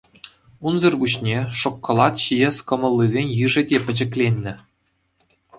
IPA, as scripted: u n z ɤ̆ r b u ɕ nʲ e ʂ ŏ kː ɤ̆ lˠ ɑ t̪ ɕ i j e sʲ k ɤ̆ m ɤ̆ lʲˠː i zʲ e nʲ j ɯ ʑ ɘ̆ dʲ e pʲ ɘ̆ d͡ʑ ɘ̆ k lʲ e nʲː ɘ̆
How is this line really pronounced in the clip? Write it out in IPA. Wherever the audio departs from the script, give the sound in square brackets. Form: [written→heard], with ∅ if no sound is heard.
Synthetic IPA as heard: u n z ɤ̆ r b u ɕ nʲ e ʂ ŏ kː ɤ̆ lˠ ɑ t̪ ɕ i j e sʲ k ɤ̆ m ɤ̆ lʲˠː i zʲ e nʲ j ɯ [ʑ→ʐ] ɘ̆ dʲ e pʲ ɘ̆ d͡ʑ ɘ̆ k lʲ e nʲː ɘ̆